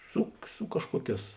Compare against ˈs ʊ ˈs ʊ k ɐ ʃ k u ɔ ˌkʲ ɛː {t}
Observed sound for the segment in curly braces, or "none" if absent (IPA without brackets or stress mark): s